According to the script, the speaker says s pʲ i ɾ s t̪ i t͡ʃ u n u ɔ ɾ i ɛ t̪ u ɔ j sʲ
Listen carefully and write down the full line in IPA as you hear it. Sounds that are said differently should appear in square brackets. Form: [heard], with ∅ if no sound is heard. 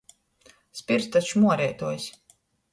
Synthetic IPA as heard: s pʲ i ɾ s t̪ [a] t͡ʃ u [m] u ɔ ɾ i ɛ t̪ u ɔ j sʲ